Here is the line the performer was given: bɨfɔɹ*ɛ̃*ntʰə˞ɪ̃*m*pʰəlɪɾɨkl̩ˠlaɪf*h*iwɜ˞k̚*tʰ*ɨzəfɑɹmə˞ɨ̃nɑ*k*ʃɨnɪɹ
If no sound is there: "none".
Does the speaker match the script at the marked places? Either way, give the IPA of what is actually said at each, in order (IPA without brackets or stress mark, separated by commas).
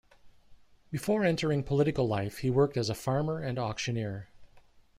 ɛ̃, ŋ, h, t, k